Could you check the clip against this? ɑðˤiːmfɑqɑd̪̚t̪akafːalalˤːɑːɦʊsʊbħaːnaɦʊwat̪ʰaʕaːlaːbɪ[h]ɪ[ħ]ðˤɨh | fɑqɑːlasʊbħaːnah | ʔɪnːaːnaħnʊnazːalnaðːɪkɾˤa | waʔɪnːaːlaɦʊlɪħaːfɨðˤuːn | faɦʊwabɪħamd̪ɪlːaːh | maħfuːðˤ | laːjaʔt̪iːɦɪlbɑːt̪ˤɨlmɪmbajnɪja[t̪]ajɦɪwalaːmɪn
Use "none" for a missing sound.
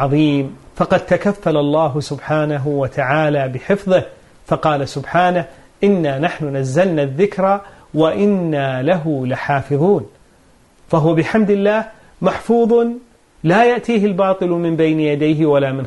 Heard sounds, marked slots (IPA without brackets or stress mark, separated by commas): ħ, f, d̪